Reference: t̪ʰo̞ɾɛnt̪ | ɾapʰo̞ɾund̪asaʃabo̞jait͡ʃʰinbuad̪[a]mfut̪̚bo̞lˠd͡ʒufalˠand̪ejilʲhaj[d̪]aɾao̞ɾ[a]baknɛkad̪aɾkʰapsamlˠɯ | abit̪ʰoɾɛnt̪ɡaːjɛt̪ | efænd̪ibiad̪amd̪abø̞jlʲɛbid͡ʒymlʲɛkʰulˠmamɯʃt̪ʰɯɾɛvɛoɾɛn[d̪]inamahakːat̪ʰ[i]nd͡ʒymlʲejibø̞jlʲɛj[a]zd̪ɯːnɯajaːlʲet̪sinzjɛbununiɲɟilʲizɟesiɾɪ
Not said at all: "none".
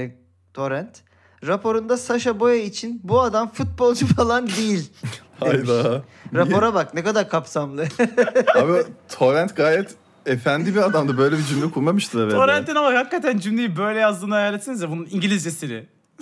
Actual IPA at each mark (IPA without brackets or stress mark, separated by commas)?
a, d̪, a, t̪, æ, a